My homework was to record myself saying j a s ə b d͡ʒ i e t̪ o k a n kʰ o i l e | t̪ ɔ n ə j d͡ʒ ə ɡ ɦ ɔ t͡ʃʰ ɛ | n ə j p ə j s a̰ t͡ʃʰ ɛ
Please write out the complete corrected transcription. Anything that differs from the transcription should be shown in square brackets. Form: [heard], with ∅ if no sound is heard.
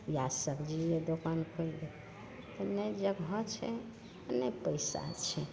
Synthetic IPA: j a s ə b d͡ʒ i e [d̪] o k a n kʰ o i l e | t̪ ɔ n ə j d͡ʒ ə ɡ ɦ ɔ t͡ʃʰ ɛ | n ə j p ə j s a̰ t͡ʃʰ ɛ